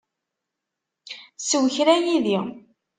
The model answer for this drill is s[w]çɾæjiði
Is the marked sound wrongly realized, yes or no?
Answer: no